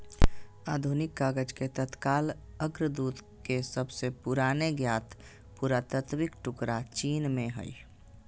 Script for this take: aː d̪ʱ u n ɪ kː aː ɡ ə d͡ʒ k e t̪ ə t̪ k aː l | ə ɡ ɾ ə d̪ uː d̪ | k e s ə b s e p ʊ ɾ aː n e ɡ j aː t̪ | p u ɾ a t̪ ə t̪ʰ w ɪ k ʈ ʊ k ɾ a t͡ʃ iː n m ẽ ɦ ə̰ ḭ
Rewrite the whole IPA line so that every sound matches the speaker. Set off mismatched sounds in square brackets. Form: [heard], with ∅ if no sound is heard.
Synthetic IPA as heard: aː d̪ʱ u n ɪ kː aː ɡ ə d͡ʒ k e t̪ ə t̪ k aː l | ə ɡ ɾ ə d̪ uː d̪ | k e s ə b s e p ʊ ɾ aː n e ɡ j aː t̪ | p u ɾ a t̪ ə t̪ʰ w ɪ k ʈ ʊ k ɾ a t͡ʃ iː n m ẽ ɦ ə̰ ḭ